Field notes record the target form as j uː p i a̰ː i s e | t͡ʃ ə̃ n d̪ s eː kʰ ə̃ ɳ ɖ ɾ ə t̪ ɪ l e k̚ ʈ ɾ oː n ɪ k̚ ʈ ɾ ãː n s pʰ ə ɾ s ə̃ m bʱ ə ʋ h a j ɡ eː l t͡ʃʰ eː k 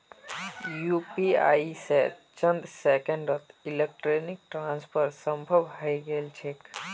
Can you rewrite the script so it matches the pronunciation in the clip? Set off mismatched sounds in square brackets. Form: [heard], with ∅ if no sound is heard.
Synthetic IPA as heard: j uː p i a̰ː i s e | t͡ʃ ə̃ n d̪ s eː [k] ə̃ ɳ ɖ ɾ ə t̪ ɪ l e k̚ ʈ ɾ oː n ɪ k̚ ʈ ɾ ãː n s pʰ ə ɾ s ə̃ m bʱ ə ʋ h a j ɡ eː l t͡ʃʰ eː k